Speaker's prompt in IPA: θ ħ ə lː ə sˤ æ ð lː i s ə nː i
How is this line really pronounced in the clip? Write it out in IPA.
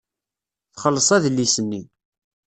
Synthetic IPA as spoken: θ χ ə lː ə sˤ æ ð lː i s ə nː i